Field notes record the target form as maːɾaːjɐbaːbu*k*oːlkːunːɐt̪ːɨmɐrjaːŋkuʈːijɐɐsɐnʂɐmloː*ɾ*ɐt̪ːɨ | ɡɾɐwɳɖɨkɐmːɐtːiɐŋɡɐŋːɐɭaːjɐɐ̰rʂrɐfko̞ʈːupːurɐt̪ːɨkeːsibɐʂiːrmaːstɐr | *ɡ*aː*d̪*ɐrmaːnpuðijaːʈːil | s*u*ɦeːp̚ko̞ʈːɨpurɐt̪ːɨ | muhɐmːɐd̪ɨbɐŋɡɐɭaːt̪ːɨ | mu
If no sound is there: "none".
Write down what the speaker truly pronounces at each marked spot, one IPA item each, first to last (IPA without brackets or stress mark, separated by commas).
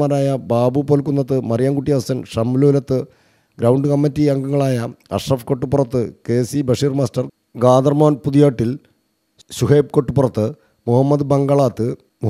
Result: p, l, ɡ, d̪, u